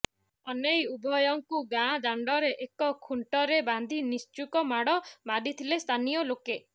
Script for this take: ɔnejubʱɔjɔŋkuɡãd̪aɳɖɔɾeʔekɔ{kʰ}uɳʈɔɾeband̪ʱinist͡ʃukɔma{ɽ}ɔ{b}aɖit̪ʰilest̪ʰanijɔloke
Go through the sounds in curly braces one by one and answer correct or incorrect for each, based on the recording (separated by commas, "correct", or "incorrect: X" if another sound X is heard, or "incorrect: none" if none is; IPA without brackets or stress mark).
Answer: correct, correct, incorrect: m